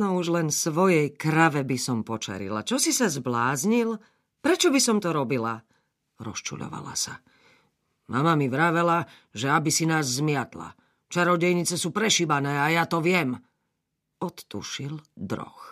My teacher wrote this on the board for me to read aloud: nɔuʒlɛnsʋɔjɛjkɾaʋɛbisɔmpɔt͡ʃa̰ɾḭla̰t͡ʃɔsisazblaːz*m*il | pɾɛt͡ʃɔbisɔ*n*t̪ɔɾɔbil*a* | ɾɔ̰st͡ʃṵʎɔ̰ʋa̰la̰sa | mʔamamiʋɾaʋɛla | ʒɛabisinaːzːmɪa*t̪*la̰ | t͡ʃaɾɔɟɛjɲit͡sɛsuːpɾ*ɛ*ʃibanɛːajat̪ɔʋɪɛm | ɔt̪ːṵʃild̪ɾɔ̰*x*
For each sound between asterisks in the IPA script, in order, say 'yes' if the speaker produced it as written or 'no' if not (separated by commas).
no, no, yes, yes, yes, yes